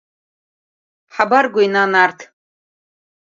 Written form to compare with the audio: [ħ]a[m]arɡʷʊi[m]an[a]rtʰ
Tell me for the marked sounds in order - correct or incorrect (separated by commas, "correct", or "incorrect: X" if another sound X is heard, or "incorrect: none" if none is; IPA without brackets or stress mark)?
correct, incorrect: b, incorrect: n, correct